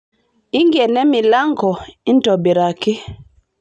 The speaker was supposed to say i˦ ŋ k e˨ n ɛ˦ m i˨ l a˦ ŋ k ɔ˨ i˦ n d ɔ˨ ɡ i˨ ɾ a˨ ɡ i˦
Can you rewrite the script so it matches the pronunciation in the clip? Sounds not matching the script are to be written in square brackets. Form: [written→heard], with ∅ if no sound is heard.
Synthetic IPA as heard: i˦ ŋ [k→ɡ] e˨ n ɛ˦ m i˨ l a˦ ŋ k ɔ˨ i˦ n [d→t] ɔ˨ [ɡ→b] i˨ ɾ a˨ [ɡ→k] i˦